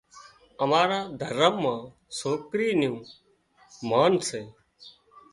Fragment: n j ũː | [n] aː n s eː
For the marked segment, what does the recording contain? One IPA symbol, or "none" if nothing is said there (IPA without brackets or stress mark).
m